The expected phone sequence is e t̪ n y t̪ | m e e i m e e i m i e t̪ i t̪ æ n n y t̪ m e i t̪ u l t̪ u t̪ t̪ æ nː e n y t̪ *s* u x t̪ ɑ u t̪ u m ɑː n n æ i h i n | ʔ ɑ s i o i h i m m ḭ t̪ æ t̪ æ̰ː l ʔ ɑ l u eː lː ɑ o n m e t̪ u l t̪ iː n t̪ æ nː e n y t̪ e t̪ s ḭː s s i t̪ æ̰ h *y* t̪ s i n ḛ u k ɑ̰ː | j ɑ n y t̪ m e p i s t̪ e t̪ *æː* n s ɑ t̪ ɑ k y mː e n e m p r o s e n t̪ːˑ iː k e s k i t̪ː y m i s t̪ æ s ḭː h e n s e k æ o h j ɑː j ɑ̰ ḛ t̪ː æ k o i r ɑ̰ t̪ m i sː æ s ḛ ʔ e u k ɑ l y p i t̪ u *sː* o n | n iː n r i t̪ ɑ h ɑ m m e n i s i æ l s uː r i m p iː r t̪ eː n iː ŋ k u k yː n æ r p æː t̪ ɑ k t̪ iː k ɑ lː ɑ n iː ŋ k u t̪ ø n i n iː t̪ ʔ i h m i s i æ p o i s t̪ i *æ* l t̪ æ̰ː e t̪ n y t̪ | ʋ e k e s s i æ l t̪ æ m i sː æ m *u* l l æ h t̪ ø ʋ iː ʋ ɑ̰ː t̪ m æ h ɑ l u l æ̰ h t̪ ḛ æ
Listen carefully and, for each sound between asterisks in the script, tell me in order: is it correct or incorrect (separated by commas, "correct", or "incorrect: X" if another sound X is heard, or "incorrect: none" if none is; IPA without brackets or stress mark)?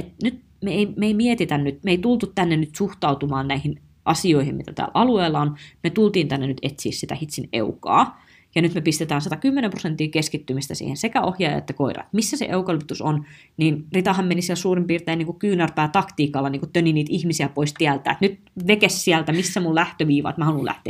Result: correct, incorrect: i, correct, incorrect: s, correct, correct